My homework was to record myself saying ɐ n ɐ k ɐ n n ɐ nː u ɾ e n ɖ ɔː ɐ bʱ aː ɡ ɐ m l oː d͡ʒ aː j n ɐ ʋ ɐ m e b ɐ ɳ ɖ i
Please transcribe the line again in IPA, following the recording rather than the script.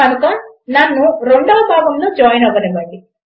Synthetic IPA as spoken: ɐ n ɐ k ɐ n n ɐ nː u ɾ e ɳ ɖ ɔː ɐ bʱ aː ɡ ɐ m l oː d͡ʒ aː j n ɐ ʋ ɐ n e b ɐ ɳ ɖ i